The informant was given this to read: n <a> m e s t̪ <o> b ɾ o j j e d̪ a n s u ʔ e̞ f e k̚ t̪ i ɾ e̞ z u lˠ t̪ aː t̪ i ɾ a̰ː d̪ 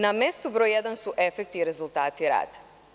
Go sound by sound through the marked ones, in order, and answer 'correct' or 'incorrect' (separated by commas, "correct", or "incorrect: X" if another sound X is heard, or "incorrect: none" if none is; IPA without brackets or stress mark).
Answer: correct, incorrect: u